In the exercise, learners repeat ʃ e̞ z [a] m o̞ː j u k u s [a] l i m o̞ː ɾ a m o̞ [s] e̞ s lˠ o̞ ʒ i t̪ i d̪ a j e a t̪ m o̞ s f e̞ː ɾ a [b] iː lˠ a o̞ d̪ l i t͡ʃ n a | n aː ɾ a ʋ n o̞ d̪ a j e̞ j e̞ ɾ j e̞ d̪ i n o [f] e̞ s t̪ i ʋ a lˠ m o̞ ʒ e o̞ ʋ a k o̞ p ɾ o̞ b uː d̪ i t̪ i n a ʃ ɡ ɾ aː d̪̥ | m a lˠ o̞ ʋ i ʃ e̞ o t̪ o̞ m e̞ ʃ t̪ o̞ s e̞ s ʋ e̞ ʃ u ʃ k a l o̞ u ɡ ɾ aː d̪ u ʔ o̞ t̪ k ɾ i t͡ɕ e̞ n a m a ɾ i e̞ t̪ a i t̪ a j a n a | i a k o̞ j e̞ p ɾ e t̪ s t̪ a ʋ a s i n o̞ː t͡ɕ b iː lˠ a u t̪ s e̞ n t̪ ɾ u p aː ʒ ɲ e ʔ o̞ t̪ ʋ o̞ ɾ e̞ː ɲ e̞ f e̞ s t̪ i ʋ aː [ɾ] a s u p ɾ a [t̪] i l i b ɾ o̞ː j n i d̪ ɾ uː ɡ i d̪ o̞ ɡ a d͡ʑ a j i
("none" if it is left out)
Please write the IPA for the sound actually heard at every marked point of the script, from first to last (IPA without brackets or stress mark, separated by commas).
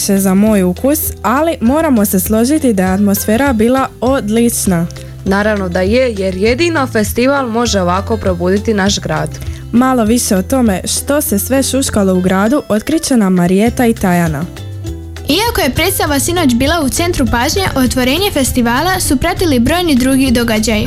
a, a, s, b, f, l, t̪